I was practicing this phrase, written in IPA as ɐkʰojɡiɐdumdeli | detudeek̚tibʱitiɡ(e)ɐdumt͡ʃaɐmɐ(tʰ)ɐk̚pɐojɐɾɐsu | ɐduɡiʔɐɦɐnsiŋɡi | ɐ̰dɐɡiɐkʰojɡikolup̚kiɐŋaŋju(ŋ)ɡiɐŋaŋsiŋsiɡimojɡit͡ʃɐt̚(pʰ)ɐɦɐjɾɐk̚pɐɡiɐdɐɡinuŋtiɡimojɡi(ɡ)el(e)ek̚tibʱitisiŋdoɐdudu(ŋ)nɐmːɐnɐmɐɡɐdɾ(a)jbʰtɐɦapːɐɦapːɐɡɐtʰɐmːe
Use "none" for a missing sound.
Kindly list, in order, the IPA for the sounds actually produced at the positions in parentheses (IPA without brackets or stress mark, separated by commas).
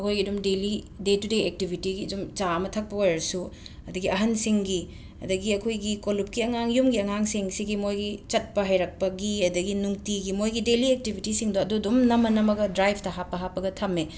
i, tʰ, m, p, d, i, m, a